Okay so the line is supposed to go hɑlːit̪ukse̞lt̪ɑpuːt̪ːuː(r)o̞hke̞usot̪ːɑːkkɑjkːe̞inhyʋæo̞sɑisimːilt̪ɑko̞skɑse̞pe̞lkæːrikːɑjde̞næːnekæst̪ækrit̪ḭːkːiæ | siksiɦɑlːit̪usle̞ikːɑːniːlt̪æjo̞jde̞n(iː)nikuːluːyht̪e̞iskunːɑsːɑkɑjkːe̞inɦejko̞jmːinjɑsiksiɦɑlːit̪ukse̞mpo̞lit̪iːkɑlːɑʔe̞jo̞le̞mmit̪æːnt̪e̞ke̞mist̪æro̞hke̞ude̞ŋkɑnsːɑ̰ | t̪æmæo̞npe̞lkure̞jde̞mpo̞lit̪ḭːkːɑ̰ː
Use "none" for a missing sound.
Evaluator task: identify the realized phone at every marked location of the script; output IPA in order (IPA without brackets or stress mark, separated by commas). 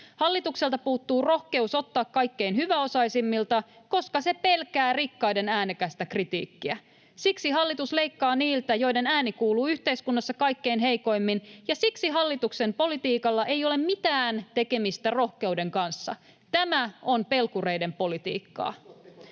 r, æː